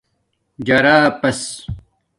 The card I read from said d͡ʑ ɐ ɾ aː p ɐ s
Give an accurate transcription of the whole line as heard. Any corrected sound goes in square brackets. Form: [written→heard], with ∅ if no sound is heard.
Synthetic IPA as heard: d͡ʑ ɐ ɾ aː p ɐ s